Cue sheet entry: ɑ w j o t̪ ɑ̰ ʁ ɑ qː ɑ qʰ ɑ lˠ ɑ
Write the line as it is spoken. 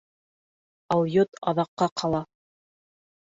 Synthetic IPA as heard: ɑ w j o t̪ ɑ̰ ð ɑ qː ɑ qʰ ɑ lˠ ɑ